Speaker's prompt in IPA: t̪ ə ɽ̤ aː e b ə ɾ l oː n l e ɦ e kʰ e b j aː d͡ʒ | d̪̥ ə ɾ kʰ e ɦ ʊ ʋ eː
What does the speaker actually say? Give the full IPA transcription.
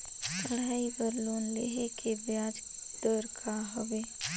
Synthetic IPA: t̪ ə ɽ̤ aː i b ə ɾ l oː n l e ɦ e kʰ e b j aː d͡ʒ | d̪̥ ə ɾ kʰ a ɦ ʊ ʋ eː